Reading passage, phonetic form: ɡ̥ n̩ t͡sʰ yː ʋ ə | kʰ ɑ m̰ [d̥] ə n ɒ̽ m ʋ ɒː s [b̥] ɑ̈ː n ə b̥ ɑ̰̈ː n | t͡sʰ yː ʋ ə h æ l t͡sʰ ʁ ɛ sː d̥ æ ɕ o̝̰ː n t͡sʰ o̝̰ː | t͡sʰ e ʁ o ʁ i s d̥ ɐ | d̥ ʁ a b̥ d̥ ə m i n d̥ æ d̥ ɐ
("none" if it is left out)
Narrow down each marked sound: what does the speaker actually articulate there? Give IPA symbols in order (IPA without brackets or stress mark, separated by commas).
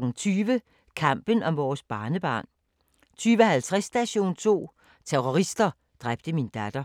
b̥, b̥